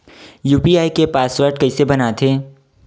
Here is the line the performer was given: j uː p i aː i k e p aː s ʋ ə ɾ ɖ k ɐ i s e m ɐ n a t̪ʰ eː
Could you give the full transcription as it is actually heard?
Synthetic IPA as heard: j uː p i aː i k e p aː s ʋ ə ɾ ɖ k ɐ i s e b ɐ n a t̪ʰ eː

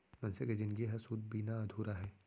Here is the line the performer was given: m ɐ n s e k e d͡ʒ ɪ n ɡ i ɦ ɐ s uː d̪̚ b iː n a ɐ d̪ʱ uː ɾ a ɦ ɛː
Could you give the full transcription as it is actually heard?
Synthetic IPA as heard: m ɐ n s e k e d͡ʒ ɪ n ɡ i ɦ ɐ s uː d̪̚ b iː n a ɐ d̪ʱ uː ɾ a ɦ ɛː

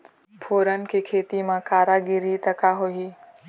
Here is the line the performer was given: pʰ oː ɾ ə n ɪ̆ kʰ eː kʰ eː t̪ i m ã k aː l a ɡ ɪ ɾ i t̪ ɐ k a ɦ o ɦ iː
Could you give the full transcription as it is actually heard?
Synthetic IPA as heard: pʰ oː ɾ ə n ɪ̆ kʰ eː kʰ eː t̪ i m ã k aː ɾ a ɡ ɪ ɾ i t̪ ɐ k a ɦ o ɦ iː

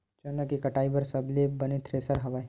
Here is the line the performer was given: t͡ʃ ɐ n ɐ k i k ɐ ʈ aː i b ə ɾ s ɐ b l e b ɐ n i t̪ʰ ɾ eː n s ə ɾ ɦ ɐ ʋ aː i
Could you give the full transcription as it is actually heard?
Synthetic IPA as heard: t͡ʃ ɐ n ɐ k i k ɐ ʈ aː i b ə ɾ s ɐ b l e b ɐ n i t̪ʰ ɾ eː s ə ɾ ɦ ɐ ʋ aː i

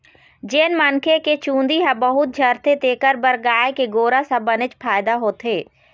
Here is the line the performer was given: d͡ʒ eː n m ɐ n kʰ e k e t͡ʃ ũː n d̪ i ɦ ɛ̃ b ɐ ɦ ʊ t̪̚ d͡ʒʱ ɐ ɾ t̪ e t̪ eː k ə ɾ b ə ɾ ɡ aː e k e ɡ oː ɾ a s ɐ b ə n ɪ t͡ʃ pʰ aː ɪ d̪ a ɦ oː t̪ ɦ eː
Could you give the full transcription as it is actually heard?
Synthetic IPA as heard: d͡ʒ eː n m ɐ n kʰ e k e t͡ʃ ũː n d̪ i ɦ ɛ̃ b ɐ ɦ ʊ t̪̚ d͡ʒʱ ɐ ɾ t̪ e t̪ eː k ə ɾ b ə ɾ ɡ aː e k e ɡ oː ɾ a s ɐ b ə n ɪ t͡ʃ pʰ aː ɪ d̪ a ɦ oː t̪ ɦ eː

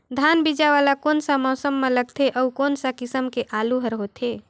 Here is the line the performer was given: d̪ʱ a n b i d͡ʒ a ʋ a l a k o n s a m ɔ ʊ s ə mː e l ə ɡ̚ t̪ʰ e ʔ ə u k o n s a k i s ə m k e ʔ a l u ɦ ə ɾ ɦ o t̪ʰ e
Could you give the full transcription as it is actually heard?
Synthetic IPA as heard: d̪ʱ a n b i d͡ʒ a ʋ a l a k o n s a m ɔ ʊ s ə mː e l ə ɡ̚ t̪ʰ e ʔ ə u k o n s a k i s ə m k e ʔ a l u ɦ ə ɾ ɦ o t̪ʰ e

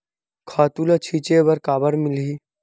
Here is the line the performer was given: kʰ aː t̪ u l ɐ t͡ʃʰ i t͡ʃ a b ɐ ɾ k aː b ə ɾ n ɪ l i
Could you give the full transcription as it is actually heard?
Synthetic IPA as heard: kʰ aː t̪ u l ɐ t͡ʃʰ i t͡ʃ e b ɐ ɾ k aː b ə ɾ m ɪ l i

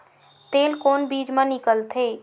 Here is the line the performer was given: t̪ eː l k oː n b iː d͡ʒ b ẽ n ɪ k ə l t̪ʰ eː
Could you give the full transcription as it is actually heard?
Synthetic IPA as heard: t̪ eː l k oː n b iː d͡ʒ m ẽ n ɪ k ə l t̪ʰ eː

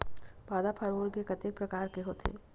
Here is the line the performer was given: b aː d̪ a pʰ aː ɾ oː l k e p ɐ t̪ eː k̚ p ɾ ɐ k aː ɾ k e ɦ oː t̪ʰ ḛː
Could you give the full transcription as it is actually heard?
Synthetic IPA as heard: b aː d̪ a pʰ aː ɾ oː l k e k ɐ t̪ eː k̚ p ɾ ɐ k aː ɾ k e ɦ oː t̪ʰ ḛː

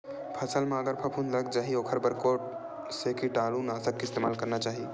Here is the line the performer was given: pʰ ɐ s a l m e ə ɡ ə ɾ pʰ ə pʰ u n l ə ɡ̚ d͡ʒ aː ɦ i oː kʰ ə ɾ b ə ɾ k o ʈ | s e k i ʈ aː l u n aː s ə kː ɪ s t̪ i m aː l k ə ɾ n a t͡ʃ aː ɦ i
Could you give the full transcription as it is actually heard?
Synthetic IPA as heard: pʰ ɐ s ə l m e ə ɡ ə ɾ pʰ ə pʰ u n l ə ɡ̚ d͡ʒ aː ɦ i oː kʰ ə ɾ b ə ɾ k o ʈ | s e k i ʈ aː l u n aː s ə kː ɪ s t̪ e m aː l k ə ɾ n a t͡ʃ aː ɦ i

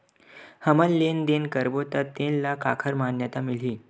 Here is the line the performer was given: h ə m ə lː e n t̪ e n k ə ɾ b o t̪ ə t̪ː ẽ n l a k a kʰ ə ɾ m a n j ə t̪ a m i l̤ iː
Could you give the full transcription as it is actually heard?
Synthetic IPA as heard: h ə m ə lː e n d̪ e n k ə ɾ b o t̪ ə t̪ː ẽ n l a k a kʰ ə ɾ m a n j ə t̪ a m i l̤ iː

